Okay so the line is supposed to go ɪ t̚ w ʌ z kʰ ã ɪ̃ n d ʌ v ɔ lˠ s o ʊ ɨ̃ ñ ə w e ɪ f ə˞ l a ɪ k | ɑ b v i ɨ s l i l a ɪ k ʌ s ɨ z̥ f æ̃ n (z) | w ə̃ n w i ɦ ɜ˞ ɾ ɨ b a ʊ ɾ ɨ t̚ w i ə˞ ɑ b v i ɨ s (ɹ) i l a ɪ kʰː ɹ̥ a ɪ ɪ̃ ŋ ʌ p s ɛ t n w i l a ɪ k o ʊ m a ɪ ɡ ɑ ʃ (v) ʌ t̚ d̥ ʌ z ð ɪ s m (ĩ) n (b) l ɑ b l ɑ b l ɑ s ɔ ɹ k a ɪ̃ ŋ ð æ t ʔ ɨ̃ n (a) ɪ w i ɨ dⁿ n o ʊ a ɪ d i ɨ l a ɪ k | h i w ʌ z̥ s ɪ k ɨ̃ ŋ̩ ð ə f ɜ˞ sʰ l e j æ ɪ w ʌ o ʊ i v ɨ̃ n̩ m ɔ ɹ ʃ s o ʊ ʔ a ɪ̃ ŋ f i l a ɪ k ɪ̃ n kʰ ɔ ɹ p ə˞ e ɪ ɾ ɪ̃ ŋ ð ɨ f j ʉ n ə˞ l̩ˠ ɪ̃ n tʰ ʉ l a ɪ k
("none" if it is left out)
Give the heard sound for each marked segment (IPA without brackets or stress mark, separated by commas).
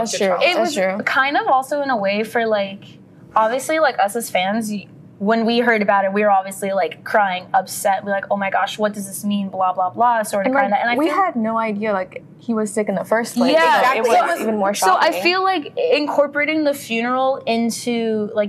z, l, w, ĩ, b, a